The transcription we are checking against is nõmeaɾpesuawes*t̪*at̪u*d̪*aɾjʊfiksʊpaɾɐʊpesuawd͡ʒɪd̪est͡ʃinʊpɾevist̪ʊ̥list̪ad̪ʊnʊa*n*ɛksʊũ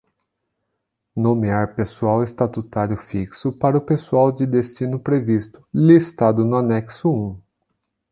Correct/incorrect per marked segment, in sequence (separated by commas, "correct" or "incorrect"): correct, incorrect, correct